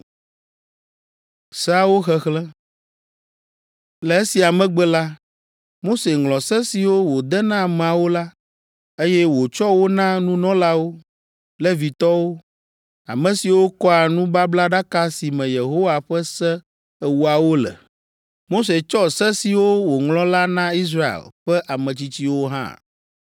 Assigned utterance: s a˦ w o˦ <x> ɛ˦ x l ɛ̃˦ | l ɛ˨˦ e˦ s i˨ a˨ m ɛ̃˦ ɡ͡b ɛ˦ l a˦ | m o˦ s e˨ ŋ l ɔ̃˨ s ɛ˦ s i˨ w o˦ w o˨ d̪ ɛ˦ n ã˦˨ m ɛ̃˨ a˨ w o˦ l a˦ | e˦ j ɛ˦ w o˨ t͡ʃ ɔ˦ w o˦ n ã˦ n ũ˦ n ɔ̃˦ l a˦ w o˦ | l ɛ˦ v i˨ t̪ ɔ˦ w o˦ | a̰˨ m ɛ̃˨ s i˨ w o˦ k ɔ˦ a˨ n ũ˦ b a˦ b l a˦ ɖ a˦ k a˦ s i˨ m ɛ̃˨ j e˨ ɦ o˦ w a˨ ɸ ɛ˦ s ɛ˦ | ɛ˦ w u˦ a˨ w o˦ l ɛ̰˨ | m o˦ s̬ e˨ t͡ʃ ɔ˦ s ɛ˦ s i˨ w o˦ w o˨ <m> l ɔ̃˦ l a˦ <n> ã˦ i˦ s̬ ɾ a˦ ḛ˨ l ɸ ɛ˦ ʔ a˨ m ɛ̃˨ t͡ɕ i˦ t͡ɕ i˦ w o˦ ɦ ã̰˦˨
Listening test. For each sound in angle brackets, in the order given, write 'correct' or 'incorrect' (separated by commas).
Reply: correct, incorrect, correct